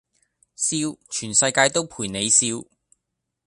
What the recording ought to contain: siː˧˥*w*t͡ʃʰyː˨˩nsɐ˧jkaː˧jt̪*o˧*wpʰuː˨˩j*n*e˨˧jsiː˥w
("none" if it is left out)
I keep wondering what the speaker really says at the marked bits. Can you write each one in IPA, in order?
w, o˥, n

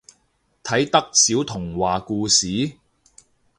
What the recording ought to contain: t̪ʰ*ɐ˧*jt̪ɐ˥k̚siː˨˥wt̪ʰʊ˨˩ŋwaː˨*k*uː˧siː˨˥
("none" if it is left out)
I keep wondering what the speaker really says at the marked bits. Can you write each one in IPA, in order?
ɐ˨˥, k

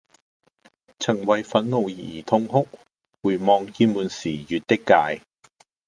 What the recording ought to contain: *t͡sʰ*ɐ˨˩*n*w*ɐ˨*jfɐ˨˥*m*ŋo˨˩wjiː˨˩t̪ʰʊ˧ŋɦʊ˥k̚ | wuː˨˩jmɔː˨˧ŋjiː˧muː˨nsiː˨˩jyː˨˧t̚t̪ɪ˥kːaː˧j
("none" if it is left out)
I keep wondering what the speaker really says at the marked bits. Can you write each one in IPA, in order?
t͡sʰ, ŋ, ɐ˨, n

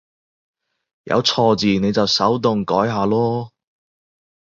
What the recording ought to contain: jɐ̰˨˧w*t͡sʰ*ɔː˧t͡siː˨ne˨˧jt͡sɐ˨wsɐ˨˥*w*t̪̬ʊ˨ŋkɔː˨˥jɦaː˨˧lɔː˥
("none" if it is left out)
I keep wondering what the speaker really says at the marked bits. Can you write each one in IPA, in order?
t͡sʰ, w

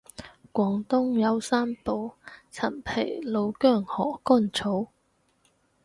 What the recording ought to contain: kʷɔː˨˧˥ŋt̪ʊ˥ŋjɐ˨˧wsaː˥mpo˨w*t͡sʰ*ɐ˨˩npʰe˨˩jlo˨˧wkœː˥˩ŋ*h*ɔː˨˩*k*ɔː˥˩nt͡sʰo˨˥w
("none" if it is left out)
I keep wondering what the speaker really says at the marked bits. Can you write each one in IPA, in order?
t͡sʰ, h, k

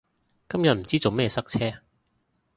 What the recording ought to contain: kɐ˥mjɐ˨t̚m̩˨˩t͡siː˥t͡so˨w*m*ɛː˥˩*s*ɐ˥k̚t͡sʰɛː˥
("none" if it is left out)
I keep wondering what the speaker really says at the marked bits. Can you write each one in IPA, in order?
m, s

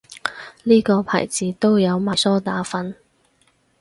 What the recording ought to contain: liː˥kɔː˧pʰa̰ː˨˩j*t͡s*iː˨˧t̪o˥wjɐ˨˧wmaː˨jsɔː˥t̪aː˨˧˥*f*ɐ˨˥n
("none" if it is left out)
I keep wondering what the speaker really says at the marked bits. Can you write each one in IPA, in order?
t͡s, f

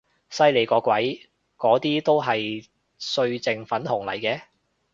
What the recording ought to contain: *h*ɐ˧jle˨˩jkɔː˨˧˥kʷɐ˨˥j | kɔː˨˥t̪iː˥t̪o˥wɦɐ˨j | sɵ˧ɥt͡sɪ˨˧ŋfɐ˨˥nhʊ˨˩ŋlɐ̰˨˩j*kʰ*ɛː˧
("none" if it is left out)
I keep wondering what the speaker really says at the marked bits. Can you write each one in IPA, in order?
s, k

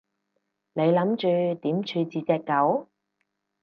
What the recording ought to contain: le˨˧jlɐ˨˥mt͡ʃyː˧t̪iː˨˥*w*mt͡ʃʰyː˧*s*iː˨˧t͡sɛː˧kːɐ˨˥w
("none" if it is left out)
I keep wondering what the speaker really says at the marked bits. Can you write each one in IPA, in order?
none, t͡s

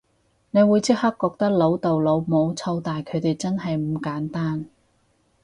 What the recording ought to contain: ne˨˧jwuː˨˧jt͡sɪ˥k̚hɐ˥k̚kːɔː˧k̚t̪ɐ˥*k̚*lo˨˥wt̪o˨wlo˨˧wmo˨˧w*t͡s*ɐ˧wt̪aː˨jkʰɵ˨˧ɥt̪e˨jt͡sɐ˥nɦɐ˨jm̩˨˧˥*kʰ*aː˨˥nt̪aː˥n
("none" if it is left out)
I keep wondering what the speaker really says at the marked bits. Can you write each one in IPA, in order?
k̚, t͡sʰ, k

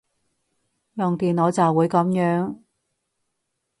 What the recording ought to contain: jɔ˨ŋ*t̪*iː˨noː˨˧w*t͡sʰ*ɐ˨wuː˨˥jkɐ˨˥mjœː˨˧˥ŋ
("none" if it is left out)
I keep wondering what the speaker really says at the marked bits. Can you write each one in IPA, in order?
t̪, t͡s

